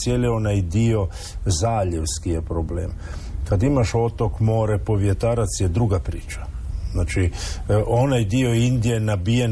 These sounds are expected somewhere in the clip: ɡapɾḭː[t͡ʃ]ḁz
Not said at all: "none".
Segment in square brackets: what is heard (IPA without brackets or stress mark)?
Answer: t͡ʃ